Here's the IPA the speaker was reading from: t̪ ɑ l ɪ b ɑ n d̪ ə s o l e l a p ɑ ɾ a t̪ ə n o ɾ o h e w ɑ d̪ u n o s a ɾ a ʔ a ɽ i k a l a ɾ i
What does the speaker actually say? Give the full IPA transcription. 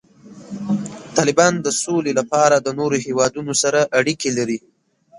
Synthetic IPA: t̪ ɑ l ɪ b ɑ n d̪ ə s o l e l a p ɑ ɾ a d̪ ə n o ɾ o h e w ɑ d̪ u n o s a ɾ a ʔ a ɽ i k e l a ɾ i